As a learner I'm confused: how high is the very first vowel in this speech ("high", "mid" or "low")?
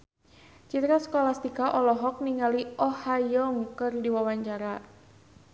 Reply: high